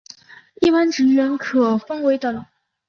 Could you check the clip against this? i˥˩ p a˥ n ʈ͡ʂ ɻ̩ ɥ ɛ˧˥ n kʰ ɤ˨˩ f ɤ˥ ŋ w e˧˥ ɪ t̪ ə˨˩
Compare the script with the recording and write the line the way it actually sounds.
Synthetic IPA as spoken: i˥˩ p a˥ n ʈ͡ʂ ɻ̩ ɥ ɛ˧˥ n kʰ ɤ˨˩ f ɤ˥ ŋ w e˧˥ ɪ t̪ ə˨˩